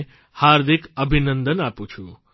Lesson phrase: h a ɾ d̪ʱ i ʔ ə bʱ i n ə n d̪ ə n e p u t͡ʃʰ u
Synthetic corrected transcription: h a ɾ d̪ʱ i k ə bʱ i n ə n d̪ ə n a p u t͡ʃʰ u